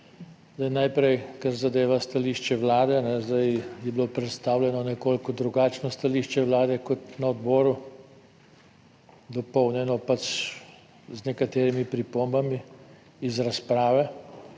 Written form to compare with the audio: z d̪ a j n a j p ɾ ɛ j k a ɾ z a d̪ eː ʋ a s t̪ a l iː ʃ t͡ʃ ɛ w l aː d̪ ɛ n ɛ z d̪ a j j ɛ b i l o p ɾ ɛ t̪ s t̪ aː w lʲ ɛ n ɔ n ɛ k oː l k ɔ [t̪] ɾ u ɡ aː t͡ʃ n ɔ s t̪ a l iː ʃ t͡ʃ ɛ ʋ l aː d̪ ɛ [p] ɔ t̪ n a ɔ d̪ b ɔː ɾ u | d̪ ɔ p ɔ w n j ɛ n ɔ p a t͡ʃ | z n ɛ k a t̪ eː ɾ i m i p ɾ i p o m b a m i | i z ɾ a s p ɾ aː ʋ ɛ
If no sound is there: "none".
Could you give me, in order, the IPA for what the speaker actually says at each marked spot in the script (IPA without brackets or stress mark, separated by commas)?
d̪, k